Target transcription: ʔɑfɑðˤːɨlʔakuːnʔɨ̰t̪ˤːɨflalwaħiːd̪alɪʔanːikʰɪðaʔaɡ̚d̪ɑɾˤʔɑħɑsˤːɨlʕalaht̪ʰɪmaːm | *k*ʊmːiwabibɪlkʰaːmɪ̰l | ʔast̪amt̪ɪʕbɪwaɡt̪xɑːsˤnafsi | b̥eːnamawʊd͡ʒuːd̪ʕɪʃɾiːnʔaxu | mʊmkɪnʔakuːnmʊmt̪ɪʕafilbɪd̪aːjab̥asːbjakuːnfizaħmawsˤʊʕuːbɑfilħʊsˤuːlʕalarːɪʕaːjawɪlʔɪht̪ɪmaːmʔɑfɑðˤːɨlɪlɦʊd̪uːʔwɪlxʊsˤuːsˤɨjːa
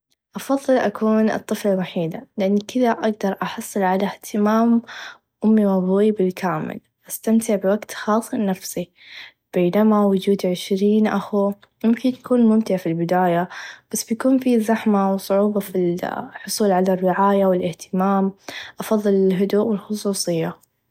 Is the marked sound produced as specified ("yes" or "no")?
no